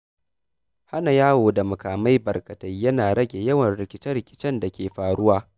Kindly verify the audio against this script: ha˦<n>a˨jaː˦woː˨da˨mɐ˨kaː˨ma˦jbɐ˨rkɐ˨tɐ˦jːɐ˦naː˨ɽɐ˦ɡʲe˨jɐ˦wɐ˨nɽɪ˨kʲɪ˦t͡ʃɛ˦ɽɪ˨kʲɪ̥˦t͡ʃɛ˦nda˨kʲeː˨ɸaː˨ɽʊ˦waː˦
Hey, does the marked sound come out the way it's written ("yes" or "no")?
yes